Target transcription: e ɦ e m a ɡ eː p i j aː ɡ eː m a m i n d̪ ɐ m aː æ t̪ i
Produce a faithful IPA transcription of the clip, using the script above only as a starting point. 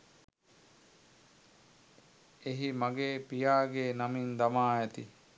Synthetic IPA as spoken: e ɦ i m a ɡ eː p i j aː ɡ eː n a m i n d̪ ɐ m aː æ t̪ i